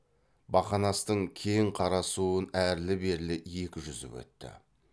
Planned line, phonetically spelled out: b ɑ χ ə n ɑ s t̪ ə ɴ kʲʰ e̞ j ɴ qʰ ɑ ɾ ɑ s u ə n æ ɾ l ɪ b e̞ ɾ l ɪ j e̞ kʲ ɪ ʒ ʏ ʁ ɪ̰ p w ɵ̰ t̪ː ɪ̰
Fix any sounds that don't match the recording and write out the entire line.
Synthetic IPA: b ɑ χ ɑ n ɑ s t̪ ə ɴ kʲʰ e̞ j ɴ qʰ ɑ ɾ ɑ s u ə n æ ɾ l ɪ b e̞ ɾ l ɪ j e̞ kʲ ɪ ʒ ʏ z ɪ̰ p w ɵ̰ t̪ː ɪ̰